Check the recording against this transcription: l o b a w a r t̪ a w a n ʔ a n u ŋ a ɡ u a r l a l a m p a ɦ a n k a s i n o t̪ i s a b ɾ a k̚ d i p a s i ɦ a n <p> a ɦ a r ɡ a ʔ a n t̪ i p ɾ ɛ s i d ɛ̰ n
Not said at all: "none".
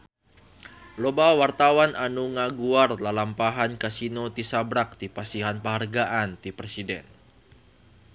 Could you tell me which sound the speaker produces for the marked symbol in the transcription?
p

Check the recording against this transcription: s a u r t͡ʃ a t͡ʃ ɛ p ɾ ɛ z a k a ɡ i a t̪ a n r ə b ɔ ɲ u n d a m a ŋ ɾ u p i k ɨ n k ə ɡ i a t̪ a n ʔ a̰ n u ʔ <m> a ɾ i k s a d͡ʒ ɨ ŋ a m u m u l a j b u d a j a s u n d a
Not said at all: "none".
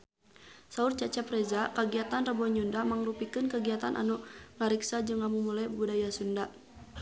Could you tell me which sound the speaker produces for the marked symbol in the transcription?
ŋ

